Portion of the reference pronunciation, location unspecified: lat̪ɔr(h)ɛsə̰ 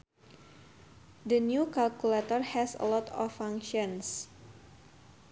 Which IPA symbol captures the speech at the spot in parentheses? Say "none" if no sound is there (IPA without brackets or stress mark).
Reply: h